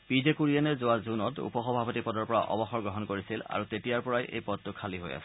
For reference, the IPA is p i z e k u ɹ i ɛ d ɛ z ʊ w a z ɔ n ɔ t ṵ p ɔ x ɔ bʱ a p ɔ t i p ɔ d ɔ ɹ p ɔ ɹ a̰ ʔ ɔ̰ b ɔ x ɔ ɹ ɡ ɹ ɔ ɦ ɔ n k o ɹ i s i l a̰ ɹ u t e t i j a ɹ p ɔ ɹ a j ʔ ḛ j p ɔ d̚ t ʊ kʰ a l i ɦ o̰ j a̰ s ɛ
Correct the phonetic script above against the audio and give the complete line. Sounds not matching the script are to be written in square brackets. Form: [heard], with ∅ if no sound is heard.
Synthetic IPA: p i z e k u ɹ i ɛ [n] ɛ z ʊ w a z [u] n ɔ t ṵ p ɔ x ɔ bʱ a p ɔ t i p ɔ d ɔ ɹ p ɔ ɹ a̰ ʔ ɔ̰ b ɔ x ɔ ɹ ɡ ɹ ɔ ɦ ɔ n k o ɹ i s i l a̰ ɹ u t e t i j a ɹ p ɔ ɹ a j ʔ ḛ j p ɔ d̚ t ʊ kʰ a l i ɦ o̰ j a̰ s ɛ